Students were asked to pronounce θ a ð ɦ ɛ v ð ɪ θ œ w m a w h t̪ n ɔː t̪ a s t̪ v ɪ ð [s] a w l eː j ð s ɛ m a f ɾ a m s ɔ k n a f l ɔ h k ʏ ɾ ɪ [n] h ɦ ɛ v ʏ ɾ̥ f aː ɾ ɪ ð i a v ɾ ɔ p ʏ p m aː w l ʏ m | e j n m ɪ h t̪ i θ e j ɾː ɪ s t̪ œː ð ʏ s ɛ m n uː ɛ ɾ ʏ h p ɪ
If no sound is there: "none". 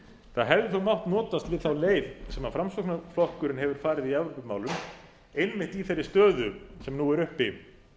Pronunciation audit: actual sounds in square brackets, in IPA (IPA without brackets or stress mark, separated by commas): θ, n